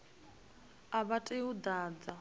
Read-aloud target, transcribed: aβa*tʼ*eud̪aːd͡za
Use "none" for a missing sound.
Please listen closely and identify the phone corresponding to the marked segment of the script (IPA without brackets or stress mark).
tʼ